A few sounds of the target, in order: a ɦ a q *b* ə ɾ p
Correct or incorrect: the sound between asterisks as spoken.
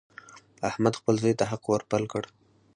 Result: incorrect: w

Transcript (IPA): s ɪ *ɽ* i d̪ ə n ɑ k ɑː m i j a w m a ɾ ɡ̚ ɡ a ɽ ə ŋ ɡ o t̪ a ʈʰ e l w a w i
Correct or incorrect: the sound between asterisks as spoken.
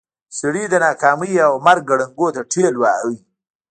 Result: correct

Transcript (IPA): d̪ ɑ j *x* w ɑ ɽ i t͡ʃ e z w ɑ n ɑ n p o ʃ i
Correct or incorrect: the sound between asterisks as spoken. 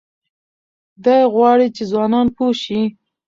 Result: incorrect: ɣ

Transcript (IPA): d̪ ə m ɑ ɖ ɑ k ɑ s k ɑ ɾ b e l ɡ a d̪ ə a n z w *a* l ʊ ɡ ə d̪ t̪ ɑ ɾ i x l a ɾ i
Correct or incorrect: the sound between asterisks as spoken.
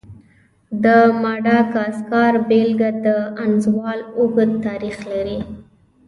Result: incorrect: ɑ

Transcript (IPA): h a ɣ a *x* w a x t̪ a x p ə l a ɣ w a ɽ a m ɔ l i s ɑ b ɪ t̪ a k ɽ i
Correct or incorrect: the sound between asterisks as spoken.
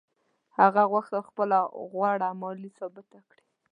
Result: incorrect: ɣ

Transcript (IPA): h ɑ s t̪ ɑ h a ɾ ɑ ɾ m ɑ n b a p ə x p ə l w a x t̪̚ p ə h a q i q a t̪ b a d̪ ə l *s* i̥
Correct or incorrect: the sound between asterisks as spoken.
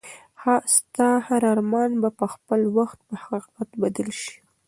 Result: incorrect: ʃ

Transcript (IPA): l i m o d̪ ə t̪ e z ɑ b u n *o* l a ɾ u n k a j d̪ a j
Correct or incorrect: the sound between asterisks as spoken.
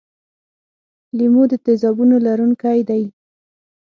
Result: correct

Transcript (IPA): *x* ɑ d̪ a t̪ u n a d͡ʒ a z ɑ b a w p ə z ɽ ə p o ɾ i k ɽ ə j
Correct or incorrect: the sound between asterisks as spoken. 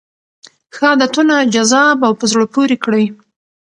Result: correct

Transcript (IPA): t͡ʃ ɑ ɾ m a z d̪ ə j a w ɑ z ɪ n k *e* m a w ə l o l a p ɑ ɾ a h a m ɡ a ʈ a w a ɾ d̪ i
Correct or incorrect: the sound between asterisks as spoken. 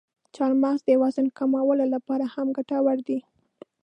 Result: incorrect: a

